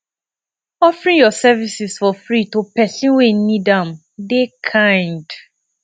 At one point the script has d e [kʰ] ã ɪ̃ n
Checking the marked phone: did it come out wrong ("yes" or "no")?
no